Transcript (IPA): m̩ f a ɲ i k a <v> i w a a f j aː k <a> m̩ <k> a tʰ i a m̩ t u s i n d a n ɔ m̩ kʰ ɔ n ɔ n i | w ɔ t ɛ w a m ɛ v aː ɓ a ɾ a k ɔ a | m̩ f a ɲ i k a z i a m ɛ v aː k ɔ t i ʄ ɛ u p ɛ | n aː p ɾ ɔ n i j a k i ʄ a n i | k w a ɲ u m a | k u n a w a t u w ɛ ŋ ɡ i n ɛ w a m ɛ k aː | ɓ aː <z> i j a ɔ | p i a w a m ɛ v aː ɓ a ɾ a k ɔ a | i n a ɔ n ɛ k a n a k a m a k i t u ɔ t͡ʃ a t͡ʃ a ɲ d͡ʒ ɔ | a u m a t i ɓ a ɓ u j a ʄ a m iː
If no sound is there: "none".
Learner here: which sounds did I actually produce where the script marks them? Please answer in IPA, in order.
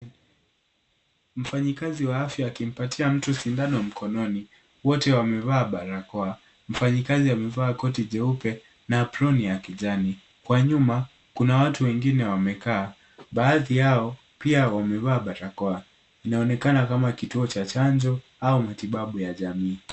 z, i, p, ð

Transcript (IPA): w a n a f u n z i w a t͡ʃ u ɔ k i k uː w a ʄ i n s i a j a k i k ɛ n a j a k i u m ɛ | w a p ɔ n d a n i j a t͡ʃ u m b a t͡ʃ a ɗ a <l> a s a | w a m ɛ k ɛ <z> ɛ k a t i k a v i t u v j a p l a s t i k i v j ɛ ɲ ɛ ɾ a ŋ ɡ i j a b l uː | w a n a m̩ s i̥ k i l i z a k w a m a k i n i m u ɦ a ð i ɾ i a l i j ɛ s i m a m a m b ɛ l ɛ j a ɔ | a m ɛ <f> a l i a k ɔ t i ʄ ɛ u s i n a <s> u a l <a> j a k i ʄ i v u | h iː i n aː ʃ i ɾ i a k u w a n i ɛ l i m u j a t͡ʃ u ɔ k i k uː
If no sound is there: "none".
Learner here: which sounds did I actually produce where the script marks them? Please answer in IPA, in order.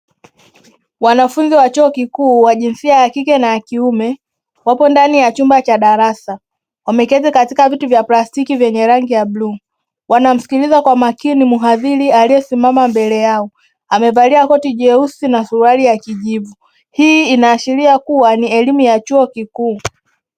ɾ, z, v, s, i

